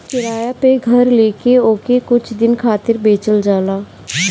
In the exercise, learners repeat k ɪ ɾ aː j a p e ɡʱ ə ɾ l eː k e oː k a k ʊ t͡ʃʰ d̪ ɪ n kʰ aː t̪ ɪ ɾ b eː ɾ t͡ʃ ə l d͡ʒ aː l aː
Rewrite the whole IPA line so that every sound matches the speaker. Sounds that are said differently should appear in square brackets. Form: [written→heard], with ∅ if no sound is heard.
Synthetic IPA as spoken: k ɪ ɾ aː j a p e ɡʱ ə ɾ l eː k e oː k [a→e] k ʊ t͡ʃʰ d̪ ɪ n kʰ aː t̪ ɪ ɾ b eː [ɾ→∅] t͡ʃ ə l d͡ʒ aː l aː